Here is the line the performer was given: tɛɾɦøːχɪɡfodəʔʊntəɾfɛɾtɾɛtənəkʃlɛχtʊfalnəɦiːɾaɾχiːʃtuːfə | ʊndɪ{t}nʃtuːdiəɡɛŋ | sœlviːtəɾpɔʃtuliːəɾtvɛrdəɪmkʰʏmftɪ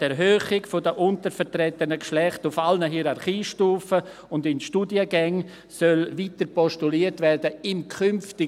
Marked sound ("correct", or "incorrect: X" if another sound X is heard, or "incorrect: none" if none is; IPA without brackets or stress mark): incorrect: none